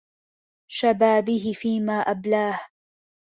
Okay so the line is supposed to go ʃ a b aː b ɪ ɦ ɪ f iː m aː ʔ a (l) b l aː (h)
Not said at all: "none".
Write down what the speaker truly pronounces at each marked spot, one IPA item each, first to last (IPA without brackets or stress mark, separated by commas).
none, h